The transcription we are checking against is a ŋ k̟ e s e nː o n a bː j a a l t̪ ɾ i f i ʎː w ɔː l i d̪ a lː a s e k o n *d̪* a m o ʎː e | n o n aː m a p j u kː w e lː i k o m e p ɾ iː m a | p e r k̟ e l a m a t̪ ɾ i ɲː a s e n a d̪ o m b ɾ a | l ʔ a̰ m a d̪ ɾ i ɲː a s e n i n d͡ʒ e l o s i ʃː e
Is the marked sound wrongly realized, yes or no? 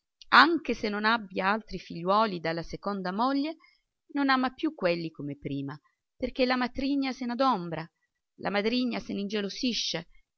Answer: no